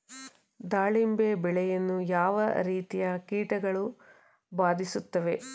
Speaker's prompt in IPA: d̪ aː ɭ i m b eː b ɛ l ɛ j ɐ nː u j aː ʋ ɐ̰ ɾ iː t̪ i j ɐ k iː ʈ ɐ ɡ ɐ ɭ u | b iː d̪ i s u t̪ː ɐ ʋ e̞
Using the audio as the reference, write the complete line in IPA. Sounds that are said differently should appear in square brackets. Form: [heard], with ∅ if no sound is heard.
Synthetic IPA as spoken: d̪ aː ɭ i m b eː b ɛ [ɭ] ɛ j ɐ nː u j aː ʋ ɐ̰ ɾ iː t̪ i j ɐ k iː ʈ ɐ ɡ ɐ ɭ u | b [aː] d̪ i s u t̪ː ɐ ʋ e̞